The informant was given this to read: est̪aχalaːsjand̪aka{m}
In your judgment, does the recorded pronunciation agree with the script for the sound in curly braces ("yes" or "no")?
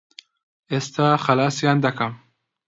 yes